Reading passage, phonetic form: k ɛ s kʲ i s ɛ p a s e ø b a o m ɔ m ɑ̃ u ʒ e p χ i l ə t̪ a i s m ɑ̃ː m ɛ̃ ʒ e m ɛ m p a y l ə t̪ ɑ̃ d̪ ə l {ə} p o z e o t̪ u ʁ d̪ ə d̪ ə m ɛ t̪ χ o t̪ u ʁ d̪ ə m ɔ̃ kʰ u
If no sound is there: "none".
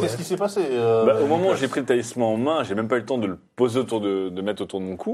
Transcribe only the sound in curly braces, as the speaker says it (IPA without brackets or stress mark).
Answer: ə